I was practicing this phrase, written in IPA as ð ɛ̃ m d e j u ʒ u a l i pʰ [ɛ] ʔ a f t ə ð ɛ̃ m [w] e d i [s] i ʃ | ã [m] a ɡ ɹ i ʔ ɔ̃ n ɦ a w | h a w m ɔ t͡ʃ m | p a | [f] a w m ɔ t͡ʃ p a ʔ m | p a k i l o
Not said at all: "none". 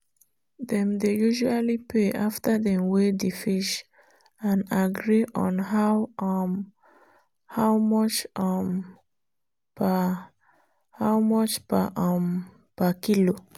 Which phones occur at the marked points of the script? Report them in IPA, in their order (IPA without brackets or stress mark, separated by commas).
e, w, f, n, h